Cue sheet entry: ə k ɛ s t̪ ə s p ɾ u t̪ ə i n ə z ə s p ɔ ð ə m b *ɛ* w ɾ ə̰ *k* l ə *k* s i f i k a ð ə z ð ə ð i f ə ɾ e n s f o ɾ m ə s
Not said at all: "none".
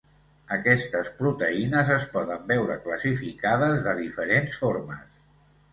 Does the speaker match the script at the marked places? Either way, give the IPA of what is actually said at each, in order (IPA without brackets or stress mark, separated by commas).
ɛ, k, none